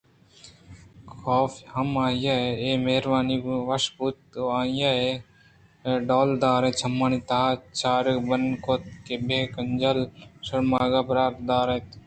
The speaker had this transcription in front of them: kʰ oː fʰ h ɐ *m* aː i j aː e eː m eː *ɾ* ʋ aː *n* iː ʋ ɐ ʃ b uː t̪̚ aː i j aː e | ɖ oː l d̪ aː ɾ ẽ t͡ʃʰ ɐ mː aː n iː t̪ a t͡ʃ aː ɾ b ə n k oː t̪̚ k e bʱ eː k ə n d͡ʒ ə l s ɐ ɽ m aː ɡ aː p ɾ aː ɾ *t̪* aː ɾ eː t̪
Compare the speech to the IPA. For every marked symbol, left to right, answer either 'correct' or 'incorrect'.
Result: correct, correct, correct, incorrect

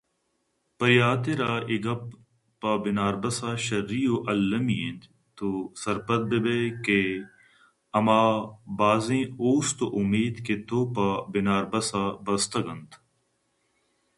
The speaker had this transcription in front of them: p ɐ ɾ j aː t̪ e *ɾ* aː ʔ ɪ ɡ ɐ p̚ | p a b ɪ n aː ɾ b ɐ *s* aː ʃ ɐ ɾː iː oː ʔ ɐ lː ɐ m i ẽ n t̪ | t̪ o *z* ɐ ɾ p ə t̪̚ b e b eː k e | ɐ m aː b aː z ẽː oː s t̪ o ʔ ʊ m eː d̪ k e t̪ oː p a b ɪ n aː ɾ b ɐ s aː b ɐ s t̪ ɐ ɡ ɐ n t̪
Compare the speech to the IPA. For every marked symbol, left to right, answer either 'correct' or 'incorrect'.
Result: correct, correct, incorrect

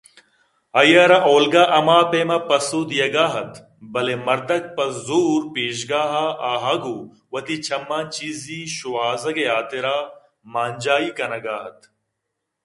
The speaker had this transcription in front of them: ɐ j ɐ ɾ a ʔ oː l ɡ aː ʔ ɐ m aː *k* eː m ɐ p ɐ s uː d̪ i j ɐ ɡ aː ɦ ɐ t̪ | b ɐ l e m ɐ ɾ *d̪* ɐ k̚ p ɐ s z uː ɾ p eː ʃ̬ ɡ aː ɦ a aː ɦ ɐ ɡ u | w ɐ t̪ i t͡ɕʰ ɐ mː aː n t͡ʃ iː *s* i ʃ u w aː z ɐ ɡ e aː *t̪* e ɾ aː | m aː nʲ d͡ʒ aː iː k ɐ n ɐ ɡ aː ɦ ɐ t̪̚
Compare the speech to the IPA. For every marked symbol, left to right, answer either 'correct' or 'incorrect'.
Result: incorrect, correct, incorrect, correct

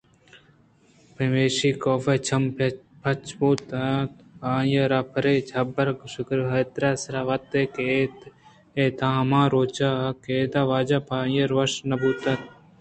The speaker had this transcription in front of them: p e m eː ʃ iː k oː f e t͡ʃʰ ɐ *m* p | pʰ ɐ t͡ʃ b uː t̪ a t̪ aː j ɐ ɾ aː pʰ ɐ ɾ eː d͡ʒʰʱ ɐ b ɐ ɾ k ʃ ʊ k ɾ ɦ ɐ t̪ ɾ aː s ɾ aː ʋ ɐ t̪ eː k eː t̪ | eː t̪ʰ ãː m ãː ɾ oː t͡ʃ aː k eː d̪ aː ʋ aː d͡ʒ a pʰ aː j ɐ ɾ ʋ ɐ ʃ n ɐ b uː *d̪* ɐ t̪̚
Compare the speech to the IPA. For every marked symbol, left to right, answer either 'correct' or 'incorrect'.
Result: correct, incorrect

